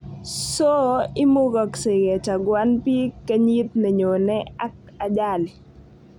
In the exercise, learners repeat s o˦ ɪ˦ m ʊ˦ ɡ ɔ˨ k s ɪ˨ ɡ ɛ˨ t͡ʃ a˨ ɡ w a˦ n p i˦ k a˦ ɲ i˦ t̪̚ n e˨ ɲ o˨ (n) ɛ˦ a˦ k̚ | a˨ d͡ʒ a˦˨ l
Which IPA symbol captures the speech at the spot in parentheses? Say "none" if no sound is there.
n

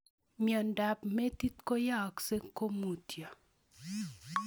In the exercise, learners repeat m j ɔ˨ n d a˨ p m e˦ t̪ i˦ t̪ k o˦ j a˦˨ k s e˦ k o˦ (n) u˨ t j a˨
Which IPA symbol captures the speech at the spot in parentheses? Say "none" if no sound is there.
m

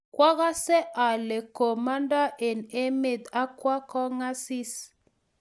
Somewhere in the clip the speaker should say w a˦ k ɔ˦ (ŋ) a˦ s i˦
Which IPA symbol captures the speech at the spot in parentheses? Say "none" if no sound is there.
ŋ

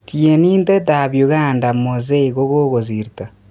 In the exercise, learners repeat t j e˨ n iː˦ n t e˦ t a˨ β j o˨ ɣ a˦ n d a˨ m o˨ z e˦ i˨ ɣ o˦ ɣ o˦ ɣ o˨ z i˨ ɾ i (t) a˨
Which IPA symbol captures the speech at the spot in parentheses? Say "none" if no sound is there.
t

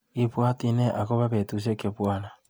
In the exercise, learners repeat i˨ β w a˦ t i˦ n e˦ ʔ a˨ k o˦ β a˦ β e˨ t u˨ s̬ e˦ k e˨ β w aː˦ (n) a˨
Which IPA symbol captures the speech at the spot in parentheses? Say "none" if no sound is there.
n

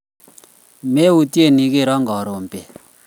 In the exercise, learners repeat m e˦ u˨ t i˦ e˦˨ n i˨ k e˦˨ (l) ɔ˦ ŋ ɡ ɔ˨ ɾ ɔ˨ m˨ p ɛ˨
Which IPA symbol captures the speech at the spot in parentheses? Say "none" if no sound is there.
ɾ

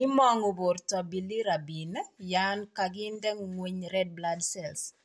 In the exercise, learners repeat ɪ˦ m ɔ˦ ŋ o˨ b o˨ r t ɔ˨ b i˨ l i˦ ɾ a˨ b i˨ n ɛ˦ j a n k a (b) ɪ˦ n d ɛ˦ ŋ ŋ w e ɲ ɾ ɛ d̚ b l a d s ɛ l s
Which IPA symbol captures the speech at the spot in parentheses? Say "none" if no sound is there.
ɡ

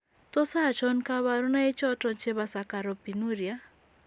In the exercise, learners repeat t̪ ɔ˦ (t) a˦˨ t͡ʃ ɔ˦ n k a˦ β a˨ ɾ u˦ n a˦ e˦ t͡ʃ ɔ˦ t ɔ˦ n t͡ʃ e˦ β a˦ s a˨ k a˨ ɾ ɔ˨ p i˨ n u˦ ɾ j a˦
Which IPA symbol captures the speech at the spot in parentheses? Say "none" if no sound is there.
s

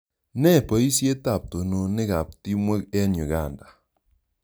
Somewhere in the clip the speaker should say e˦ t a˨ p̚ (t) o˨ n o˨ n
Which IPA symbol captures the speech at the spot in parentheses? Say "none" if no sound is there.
t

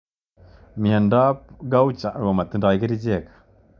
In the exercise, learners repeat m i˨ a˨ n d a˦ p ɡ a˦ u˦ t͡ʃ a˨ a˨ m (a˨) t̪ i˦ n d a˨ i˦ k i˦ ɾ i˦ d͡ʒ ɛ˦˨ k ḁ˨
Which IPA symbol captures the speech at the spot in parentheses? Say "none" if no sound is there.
a˨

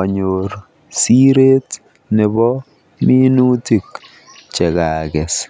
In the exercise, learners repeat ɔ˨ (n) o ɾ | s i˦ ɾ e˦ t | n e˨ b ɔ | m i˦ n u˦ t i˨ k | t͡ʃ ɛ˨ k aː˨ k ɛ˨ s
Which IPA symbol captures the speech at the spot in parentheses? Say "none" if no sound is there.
ɲ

